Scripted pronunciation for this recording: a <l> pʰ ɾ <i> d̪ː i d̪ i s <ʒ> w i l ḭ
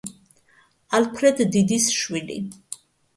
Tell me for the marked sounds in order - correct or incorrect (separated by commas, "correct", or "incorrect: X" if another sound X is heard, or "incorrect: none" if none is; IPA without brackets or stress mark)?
correct, incorrect: ɛ, incorrect: ʃ